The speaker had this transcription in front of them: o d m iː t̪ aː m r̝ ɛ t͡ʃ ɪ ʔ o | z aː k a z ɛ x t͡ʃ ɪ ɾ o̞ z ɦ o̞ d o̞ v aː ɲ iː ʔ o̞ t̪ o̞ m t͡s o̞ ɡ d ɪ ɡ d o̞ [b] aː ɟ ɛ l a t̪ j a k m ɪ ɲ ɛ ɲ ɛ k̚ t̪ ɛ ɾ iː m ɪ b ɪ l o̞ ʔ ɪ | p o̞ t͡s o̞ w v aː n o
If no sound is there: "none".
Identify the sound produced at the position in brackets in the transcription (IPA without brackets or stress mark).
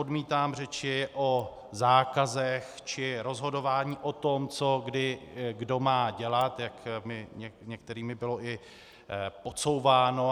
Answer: m